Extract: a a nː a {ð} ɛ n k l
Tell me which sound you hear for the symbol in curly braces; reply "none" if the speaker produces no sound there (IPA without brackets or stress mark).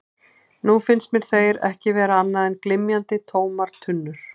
ð